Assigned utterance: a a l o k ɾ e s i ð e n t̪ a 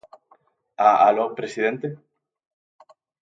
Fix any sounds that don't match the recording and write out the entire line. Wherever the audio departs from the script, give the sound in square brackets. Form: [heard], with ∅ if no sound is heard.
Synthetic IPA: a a l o [p] ɾ e s i ð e n t̪ [e]